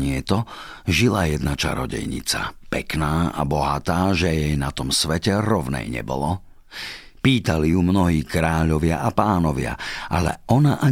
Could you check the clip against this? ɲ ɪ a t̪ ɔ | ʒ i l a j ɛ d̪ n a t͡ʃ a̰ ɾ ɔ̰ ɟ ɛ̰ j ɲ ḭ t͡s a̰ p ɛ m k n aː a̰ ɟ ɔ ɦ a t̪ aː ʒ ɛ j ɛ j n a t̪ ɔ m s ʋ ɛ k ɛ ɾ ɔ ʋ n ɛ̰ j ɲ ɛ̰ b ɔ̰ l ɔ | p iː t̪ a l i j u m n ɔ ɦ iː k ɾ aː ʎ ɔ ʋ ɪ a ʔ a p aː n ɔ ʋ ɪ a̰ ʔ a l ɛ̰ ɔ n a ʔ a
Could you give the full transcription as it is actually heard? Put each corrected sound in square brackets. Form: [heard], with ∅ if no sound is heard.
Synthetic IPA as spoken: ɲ ɪ [ɛ] t̪ ɔ | ʒ i l a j ɛ d̪ n a t͡ʃ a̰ ɾ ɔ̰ ɟ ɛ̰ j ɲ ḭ t͡s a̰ p ɛ [∅] k n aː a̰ [b] ɔ ɦ a t̪ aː ʒ ɛ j ɛ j n a t̪ ɔ m s ʋ ɛ [c] ɛ ɾ ɔ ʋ n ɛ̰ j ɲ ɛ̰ b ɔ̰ l ɔ | p iː t̪ a l i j u m n ɔ ɦ iː k ɾ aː ʎ ɔ ʋ ɪ a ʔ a p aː n ɔ ʋ ɪ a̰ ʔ a l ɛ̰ ɔ n a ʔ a